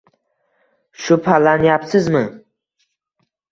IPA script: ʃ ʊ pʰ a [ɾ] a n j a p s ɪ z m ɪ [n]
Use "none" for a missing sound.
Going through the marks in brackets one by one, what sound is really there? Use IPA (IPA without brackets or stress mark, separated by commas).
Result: l, none